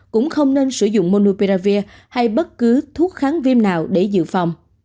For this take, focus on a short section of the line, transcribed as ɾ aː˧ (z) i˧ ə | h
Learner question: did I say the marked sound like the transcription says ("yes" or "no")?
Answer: no